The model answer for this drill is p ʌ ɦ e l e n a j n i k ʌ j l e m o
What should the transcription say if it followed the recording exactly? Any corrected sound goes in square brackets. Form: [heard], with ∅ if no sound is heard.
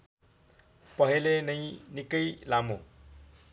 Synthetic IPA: p ʌ ɦ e l e n [ʌ] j n i k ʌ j l [a] m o